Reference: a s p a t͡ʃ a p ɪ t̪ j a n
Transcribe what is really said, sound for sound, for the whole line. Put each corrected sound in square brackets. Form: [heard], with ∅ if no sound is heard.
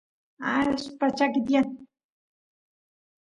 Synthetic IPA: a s p a t͡ʃ a [k] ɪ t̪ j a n